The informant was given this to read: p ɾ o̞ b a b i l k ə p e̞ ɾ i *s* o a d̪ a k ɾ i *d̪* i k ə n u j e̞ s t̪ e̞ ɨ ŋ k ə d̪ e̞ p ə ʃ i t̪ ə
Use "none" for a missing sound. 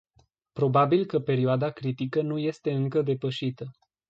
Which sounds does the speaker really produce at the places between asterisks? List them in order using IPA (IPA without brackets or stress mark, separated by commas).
none, t̪